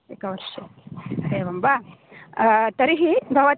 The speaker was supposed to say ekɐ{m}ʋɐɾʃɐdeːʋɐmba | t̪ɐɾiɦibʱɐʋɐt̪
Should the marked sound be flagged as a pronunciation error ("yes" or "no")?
yes